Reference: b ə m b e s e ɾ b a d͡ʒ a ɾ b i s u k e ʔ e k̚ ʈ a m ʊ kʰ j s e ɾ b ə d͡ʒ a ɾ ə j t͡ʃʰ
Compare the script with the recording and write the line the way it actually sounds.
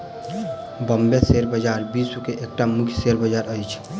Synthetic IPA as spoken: b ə m b e s e ɾ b ə d͡ʒ a ɾ b i s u k e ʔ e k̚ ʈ a m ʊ kʰ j s e ɾ b ə d͡ʒ a ɾ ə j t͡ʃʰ